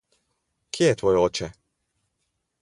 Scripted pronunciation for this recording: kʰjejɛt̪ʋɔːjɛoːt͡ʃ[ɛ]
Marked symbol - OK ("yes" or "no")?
yes